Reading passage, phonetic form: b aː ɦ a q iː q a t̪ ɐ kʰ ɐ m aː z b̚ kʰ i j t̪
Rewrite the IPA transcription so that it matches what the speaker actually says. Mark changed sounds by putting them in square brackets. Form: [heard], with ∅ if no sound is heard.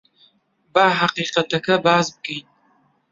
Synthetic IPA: b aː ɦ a q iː q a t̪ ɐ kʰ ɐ [b] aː z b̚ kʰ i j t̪